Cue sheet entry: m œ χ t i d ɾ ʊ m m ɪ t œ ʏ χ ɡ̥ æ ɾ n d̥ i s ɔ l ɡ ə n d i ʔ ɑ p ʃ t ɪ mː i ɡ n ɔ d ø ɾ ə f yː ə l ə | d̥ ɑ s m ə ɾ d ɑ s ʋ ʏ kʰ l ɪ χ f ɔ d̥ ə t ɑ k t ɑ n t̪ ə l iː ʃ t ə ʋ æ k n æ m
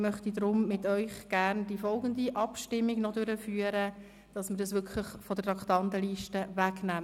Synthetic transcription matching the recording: m œ χ t i d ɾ ʊ m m ɪ t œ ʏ χ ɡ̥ æ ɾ n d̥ i f ɔ l ɡ ə n d i ʔ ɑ p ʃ t ɪ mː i ɡ n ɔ d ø ɾ ə f yː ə ɾ ə | d̥ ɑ s m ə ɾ d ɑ s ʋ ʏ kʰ l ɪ χ f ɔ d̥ ə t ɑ k t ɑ n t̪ ə l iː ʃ t ə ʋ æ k n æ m